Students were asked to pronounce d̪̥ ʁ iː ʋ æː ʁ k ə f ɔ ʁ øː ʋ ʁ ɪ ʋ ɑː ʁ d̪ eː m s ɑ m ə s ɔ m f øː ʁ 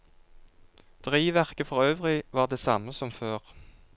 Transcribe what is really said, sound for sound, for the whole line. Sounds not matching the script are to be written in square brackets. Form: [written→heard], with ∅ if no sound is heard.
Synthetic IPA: d̪̥ ʁ iː ʋ [æː→æ] ʁ k ə f ɔ ʁ øː ʋ ʁ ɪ ʋ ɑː ʁ d̪ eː [m→∅] s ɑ m ə s ɔ m f øː ʁ